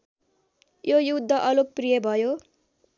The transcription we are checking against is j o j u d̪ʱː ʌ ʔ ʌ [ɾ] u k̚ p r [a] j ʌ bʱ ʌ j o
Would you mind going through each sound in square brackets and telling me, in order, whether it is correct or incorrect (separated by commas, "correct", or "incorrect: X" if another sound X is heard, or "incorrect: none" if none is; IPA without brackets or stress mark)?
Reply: incorrect: l, incorrect: i